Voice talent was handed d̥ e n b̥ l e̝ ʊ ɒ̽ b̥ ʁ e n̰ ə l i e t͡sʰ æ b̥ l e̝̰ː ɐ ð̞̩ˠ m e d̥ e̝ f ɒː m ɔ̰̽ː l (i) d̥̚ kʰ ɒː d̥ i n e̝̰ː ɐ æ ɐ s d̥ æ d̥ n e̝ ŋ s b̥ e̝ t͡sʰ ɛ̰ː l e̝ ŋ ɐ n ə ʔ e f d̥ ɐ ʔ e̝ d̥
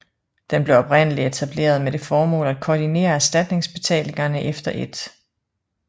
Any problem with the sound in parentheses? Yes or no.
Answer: yes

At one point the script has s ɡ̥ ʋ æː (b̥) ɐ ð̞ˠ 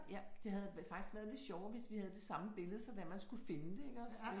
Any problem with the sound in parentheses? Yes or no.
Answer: yes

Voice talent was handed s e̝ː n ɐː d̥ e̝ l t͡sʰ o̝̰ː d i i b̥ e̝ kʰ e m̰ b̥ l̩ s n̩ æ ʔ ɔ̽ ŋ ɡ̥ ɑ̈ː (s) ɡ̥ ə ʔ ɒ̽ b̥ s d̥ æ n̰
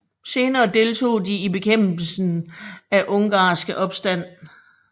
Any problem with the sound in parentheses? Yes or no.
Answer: no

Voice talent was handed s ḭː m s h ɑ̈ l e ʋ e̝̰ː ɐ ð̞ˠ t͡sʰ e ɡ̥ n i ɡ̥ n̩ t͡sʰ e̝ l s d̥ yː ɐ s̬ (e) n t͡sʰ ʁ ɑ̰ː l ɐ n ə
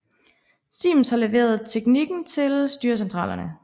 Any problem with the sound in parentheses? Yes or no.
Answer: no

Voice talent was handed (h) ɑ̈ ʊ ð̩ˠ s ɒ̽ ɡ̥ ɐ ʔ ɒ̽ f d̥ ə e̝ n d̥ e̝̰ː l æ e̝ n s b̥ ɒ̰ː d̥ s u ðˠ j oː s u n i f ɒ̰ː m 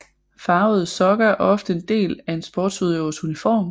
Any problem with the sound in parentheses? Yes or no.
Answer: yes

